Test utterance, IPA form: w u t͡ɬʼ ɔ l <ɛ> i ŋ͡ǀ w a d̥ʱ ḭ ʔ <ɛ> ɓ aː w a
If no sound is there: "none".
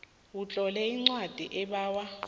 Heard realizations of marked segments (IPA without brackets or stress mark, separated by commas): ɛ, ɛ